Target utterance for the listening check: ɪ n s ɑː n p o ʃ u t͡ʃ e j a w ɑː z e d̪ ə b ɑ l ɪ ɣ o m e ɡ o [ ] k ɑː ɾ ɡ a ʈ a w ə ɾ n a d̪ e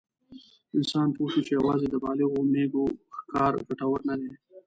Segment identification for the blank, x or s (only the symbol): x